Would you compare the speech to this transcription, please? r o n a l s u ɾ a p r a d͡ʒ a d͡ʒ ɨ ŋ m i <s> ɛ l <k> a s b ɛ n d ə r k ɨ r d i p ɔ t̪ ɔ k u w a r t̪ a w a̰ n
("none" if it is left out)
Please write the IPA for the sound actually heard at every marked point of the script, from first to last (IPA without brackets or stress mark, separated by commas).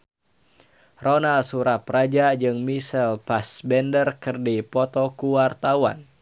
s, p